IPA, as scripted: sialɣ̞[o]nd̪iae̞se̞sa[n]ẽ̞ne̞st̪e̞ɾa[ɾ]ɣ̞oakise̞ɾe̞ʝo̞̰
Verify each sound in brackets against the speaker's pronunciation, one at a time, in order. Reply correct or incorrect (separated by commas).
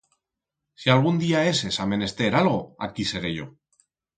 incorrect, incorrect, incorrect